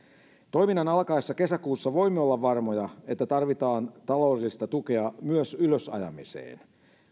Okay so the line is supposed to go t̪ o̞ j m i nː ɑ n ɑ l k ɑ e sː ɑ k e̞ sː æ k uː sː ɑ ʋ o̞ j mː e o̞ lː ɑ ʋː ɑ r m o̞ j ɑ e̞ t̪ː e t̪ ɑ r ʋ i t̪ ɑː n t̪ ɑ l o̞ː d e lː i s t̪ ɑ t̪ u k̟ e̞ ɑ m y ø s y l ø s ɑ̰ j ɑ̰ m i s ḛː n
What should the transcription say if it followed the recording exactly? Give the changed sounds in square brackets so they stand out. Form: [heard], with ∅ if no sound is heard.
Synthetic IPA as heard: t̪ o̞ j m i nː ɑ n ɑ l k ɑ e sː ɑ k e̞ [s] æ k uː sː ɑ ʋ o̞ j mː e o̞ lː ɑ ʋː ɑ r m o̞ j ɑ e̞ t̪ː [æ] t̪ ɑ r ʋ i t̪ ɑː n t̪ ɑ l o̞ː d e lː i s t̪ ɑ t̪ u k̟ e̞ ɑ m y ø s y l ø s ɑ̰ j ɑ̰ m i s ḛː n